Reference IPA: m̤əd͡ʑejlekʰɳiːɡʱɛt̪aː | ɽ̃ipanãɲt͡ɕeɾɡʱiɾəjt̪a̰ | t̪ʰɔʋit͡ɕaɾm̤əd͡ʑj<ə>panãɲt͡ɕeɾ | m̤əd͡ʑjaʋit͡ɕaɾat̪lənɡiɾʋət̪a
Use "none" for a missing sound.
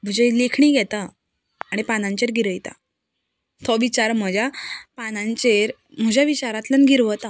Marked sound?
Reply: a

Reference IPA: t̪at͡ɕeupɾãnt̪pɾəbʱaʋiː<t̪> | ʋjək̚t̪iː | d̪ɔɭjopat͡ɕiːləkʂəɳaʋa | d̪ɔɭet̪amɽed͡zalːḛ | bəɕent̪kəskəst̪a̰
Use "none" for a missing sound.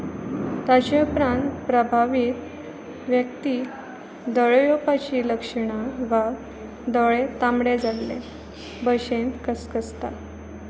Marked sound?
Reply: t̪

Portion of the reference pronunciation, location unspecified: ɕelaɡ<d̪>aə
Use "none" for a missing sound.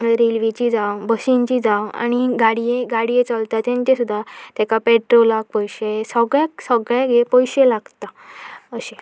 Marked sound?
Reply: t̪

